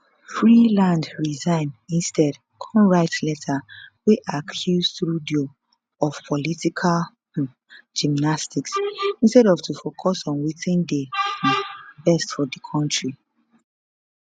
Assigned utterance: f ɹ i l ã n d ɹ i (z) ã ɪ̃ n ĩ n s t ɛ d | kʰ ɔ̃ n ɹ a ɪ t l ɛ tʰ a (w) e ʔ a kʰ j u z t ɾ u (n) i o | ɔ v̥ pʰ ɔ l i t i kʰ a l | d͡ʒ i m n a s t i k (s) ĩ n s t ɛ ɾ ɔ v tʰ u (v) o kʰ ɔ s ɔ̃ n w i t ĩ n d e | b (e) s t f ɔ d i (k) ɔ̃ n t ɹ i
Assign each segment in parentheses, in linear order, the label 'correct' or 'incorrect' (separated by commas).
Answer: correct, correct, incorrect, correct, incorrect, incorrect, incorrect